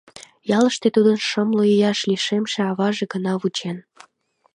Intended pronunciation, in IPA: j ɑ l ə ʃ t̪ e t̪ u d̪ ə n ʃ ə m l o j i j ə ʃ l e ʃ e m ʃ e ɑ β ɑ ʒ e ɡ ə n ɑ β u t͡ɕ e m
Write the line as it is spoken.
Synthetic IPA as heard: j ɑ l ə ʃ t̪ e t̪ u d̪ ə n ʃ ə m l o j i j ɑ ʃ l i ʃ e m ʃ e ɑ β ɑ ʒ e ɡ ə n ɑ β u t͡ɕ e n